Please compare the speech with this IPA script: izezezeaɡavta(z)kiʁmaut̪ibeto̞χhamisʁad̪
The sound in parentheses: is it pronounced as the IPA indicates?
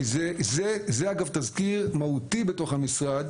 yes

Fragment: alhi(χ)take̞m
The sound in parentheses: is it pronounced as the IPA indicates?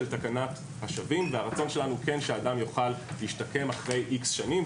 no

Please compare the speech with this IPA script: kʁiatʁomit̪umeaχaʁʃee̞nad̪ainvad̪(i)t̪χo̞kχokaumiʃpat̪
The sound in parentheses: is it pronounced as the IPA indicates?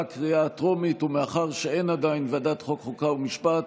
no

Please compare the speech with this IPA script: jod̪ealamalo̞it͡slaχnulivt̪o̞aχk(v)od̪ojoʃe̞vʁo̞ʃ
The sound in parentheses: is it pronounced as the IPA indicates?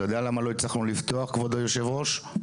yes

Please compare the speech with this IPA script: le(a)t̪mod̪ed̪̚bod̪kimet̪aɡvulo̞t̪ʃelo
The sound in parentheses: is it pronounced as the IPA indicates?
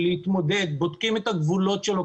no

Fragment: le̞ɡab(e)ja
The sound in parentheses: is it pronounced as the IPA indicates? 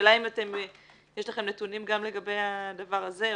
yes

